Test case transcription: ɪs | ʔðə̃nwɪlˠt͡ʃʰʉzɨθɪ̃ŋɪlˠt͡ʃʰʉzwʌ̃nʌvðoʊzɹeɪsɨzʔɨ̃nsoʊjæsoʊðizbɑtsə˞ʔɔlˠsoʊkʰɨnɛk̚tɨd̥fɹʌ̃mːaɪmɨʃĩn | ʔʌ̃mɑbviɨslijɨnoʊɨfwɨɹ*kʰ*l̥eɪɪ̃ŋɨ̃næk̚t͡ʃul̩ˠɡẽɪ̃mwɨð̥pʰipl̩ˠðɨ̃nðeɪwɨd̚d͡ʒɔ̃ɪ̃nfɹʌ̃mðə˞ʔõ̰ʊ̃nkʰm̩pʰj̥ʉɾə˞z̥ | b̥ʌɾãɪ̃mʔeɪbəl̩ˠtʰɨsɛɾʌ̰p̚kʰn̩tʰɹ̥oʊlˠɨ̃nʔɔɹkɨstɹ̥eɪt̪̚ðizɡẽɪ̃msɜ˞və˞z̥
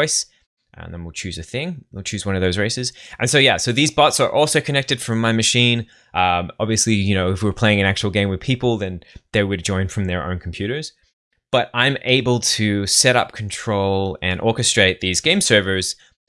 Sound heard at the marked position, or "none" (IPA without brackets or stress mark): pʰ